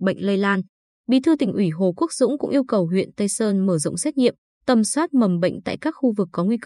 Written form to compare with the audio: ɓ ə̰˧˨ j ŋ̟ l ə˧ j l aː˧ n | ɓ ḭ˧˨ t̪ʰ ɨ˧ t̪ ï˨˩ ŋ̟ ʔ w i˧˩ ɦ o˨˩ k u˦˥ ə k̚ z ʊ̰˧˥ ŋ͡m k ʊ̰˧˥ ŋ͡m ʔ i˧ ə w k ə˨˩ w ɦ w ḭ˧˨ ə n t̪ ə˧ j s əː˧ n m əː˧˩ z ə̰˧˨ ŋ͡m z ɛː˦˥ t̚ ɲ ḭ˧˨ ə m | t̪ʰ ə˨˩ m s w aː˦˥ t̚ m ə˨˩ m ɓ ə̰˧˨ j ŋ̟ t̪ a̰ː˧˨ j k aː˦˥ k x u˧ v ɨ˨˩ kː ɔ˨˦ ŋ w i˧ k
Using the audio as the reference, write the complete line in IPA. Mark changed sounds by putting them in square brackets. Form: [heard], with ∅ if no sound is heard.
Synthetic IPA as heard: ɓ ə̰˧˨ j ŋ̟ l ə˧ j l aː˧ n | ɓ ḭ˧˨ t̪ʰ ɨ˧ t̪ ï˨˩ ŋ̟ ʔ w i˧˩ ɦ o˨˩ k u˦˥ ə k̚ z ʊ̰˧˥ ŋ͡m k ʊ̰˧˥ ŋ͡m ʔ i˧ ə w k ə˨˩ w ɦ w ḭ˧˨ ə n t̪ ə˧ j s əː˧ n m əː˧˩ z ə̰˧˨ ŋ͡m [s] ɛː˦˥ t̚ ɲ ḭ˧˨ ə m | [t̪] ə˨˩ m s w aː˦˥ t̚ m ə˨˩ m ɓ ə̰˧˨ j ŋ̟ t̪ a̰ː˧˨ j k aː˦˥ k x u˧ v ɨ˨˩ kː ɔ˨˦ ŋ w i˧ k